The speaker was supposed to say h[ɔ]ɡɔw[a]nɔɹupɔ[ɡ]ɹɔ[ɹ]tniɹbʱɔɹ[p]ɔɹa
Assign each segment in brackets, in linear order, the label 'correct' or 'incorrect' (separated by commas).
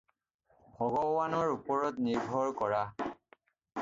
correct, correct, incorrect, incorrect, incorrect